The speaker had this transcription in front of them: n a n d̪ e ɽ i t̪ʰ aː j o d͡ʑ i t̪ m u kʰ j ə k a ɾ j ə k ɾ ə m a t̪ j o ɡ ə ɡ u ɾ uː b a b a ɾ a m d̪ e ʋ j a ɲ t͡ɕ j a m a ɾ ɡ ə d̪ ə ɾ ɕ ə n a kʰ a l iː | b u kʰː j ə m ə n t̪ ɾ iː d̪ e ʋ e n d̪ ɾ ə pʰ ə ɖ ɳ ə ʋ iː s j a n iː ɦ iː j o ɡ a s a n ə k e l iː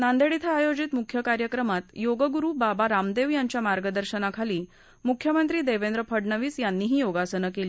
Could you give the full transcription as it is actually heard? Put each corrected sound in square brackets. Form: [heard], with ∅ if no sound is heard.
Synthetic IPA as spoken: n a n d̪ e ɽ i t̪ʰ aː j o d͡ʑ i t̪ m u kʰ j ə k a ɾ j ə k ɾ ə m a t̪ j o ɡ ə ɡ u ɾ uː b a b a ɾ a m d̪ e ʋ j a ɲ t͡ɕ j a m a ɾ ɡ ə d̪ ə ɾ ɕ ə n a kʰ a l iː | [m] u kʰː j ə m ə n t̪ ɾ iː d̪ e ʋ e n d̪ ɾ ə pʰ ə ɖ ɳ ə ʋ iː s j a [nː] iː ɦ iː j o ɡ a s [ə] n ə k e l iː